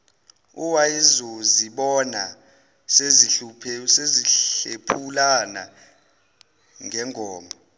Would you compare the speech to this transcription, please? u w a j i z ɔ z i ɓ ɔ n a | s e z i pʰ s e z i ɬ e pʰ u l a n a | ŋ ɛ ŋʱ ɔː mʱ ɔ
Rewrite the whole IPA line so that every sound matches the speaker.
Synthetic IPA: u w a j i z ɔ z i ɓ ɔ n a | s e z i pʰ s e z i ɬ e pʰ u l a n a | ŋ ɛ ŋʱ ɔː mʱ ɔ